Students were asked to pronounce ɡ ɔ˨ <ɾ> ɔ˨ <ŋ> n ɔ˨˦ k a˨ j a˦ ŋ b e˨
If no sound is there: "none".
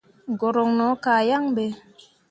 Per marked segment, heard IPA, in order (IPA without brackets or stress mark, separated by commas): ɾ, ŋ